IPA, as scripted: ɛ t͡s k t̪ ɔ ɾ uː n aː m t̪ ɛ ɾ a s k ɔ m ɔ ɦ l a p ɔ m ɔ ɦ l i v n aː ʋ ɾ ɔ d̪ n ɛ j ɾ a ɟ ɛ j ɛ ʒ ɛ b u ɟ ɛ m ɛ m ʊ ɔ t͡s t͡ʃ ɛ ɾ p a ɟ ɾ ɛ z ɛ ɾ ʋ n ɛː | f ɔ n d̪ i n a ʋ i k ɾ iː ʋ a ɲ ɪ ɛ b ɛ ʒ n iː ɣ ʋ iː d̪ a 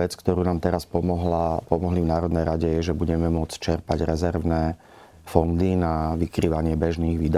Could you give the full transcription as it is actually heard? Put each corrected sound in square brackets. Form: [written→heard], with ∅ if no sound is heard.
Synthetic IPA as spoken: ɛ t͡s k t̪ ɔ ɾ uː n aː m t̪ ɛ ɾ a s [k→p] ɔ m ɔ ɦ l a p ɔ m ɔ ɦ l i v n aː [ʋ→∅] ɾ ɔ d̪ n ɛ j ɾ a ɟ ɛ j ɛ ʒ ɛ b u ɟ ɛ m ɛ m ʊ ɔ t͡s t͡ʃ ɛ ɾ p a ɟ ɾ ɛ z ɛ ɾ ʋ n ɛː | f ɔ n d̪ i n a ʋ i k ɾ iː ʋ a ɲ ɪ ɛ b ɛ ʒ n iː ɣ ʋ iː d̪ a